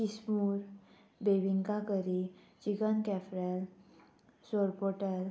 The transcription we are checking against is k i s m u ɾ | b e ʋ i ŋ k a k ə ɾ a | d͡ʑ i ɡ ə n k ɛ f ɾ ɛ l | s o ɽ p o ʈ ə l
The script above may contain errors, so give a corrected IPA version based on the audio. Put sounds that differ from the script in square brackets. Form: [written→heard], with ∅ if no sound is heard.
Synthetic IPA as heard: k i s m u ɾ | b e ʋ i ŋ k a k ə ɾ [a→i] | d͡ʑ i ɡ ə n k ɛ f ɾ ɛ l | s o [ɽ→ɾ] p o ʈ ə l